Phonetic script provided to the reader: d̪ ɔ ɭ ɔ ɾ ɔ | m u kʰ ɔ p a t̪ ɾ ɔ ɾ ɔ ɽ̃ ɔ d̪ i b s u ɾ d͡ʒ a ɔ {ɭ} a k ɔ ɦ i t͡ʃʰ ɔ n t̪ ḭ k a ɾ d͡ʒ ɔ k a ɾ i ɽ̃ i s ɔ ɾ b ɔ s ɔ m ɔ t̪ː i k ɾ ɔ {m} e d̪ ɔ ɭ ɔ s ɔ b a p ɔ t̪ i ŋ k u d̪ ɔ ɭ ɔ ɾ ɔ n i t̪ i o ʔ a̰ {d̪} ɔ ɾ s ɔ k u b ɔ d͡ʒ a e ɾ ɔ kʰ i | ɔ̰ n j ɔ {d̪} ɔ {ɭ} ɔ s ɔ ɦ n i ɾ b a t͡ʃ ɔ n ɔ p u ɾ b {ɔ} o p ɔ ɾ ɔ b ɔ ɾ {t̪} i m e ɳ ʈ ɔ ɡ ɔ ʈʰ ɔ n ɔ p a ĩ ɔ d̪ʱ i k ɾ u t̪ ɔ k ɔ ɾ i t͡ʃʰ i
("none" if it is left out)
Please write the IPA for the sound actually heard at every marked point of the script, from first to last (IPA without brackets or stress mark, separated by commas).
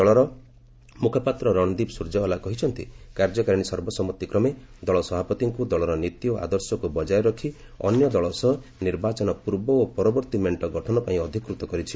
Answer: l, m, d̪, d̪, ɭ, ɔ, t̪